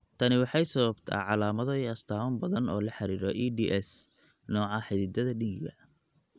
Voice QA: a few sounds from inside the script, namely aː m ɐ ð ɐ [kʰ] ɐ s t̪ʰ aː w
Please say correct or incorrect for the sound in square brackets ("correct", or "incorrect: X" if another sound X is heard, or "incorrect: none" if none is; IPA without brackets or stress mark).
incorrect: none